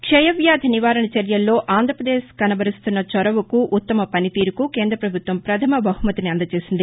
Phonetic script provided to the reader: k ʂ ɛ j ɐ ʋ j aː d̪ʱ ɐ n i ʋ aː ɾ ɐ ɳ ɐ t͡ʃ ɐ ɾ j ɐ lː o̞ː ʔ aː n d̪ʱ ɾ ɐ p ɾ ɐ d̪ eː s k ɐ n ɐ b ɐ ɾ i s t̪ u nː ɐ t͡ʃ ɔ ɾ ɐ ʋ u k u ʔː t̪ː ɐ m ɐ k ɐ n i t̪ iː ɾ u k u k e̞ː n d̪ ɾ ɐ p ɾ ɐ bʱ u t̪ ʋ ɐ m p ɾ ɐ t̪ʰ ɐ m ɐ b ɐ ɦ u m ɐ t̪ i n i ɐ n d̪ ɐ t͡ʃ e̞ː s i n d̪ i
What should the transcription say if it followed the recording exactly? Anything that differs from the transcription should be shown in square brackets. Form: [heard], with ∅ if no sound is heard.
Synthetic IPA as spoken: k ʂ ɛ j ɐ ʋ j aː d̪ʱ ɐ n i ʋ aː ɾ ɐ ɳ ɐ t͡ʃ ɐ ɾ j ɐ lː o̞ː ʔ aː n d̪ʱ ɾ ɐ p ɾ ɐ d̪ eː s k ɐ n ɐ b ɐ ɾ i s t̪ u nː ɐ t͡ʃ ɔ ɾ ɐ ʋ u k u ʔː t̪ː ɐ m ɐ [p] ɐ n i t̪ iː ɾ u k u k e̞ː n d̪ ɾ ɐ p ɾ ɐ bʱ u t̪ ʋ ɐ m p ɾ ɐ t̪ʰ ɐ m ɐ b ɐ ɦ u m ɐ t̪ i n i ɐ n d̪ ɐ t͡ʃ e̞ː s i n d̪ i